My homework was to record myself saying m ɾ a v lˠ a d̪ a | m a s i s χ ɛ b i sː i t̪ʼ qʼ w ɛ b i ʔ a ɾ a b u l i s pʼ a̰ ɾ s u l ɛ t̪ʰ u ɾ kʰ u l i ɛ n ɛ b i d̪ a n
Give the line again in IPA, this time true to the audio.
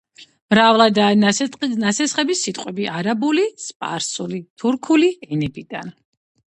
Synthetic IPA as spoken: m ɾ a v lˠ a d̪ a | n a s ɛ s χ ɛ b i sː i t̪ʼ qʼ w ɛ b i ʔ a ɾ a b u l i s pʼ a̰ ɾ s u l i t̪ʰ u ɾ kʰ u l i ɛ n ɛ b i d̪ a n